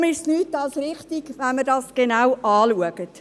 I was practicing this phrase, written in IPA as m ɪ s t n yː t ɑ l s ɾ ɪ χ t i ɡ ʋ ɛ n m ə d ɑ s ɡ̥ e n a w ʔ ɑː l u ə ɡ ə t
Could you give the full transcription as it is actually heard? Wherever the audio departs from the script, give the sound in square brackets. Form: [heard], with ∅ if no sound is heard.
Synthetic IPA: m ɪ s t n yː t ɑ l s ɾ ɪ χ t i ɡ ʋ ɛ n m ə d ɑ s ɡ̥ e n a w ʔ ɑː l u ə ɡ ə t